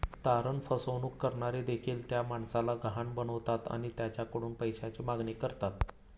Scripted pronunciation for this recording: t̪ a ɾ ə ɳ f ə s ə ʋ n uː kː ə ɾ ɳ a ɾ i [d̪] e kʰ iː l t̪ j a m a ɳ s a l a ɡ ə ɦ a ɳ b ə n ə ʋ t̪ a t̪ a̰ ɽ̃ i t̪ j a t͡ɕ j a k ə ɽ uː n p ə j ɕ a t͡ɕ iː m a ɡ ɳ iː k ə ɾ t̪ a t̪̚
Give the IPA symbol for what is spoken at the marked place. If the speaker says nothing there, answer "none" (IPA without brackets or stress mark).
d̪